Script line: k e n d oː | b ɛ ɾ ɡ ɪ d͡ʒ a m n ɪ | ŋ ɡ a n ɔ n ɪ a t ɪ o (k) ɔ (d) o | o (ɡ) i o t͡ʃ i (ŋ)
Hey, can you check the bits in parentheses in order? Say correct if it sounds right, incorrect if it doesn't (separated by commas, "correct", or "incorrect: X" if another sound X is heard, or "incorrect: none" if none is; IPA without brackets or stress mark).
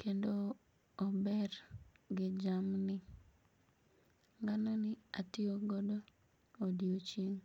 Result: incorrect: ɡ, correct, incorrect: d, correct